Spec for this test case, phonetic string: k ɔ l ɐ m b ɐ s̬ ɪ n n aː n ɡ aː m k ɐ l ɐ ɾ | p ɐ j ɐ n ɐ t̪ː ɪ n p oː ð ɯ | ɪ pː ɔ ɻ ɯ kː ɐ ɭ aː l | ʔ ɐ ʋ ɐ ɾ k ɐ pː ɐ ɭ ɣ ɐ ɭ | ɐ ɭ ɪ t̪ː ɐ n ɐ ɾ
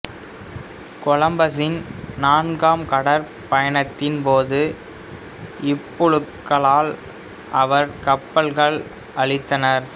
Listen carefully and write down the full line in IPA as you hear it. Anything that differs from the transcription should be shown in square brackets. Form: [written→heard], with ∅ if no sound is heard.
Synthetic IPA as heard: k ɔ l ɐ m b ɐ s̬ ɪ n n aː n ɡ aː m k ɐ [l→ɽ] ɐ ɾ | p ɐ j ɐ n ɐ t̪ː ɪ n p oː ð ɯ | ɪ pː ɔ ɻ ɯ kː ɐ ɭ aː l | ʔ ɐ ʋ ɐ ɾ k ɐ pː ɐ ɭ ɣ ɐ ɭ | ɐ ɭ ɪ t̪ː ɐ n ɐ ɾ

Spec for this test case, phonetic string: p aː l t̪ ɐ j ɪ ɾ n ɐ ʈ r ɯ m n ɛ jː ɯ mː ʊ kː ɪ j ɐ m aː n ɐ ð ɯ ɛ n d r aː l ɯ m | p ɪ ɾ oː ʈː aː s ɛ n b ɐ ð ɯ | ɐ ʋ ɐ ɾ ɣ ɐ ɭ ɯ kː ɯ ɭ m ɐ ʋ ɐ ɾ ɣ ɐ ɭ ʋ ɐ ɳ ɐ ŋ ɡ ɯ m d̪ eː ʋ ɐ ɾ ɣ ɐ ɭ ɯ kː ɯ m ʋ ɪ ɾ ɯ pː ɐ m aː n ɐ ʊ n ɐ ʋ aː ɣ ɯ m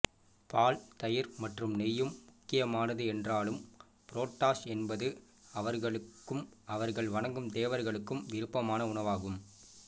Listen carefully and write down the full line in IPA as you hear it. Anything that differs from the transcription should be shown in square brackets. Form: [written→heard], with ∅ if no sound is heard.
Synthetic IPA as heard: p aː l t̪ ɐ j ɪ ɾ [n→m] ɐ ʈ r ɯ m n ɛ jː ɯ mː ʊ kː ɪ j ɐ m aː n ɐ ð ɯ ɛ n d r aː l ɯ m | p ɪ ɾ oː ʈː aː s ɛ n b ɐ ð ɯ | ɐ ʋ ɐ ɾ ɣ ɐ ɭ ɯ kː ɯ [ɭ→∅] m ɐ ʋ ɐ ɾ ɣ ɐ ɭ ʋ ɐ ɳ ɐ ŋ ɡ ɯ m d̪ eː ʋ ɐ ɾ ɣ ɐ ɭ ɯ kː ɯ m ʋ ɪ ɾ ɯ pː ɐ m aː n ɐ ʊ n ɐ ʋ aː ɣ ɯ m

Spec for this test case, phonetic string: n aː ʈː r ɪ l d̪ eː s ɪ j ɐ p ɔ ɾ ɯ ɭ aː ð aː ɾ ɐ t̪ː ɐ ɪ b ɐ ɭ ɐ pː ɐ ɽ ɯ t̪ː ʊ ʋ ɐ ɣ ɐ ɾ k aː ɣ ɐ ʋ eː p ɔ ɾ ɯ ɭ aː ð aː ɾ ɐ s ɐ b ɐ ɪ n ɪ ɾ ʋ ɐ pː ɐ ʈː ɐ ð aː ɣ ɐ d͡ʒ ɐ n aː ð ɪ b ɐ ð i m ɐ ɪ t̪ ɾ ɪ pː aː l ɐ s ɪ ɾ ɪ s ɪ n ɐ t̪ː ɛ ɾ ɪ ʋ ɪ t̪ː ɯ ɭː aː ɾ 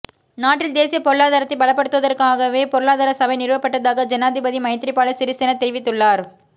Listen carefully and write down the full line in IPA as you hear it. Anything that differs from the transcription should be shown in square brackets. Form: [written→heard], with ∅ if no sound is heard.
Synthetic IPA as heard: n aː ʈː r ɪ l d̪ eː s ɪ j ɐ p ɔ ɾ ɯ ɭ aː ð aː ɾ ɐ t̪ː ɐ ɪ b ɐ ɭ ɐ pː ɐ ɽ ɯ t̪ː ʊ ʋ ɐ [ɣ→ð] ɐ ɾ k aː ɣ ɐ ʋ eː p ɔ ɾ ɯ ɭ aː ð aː ɾ ɐ s ɐ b ɐ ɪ n ɪ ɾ ʋ ɐ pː ɐ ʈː ɐ ð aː ɣ ɐ d͡ʒ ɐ n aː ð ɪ b ɐ ð i m ɐ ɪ t̪ ɾ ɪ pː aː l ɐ s ɪ ɾ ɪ s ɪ n ɐ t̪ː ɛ ɾ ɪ ʋ ɪ t̪ː ɯ ɭː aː ɾ

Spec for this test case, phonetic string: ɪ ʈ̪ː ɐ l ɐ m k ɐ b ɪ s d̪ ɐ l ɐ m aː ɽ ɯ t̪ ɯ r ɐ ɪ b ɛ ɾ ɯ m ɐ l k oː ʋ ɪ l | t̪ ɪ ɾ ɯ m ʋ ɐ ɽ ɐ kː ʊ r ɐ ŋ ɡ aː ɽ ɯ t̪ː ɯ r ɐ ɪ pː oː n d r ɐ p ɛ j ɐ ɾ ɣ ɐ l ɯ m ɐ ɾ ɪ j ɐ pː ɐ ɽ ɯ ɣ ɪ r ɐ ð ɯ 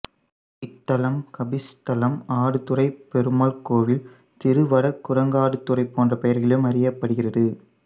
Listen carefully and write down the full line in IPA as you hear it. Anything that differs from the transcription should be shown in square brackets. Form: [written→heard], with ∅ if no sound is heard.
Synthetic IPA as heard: ɪ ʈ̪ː ɐ l ɐ m k ɐ b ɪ s [d̪→t̪] ɐ l ɐ m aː ɽ ɯ t̪ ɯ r ɐ ɪ [b→p] ɛ ɾ ɯ m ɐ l k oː ʋ ɪ l | t̪ ɪ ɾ ɯ [m→∅] ʋ ɐ ɽ ɐ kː ʊ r ɐ ŋ ɡ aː ɽ ɯ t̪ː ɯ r ɐ ɪ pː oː n d r ɐ p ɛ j ɐ ɾ ɣ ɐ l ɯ m ɐ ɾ ɪ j ɐ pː ɐ ɽ ɯ ɣ ɪ r ɐ ð ɯ

